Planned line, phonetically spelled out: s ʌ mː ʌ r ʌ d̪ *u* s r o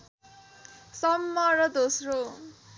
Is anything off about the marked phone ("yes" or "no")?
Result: yes